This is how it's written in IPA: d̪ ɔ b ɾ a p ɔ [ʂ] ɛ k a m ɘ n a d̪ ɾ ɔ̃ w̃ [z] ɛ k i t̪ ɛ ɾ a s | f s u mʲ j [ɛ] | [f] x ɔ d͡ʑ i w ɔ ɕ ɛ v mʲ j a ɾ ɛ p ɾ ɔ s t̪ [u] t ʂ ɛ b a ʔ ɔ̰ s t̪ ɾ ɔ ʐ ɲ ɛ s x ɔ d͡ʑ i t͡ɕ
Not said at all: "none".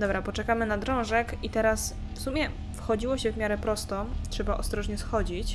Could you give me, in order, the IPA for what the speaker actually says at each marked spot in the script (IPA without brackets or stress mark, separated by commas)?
t͡ʂ, ʐ, ɛ, f, ɔ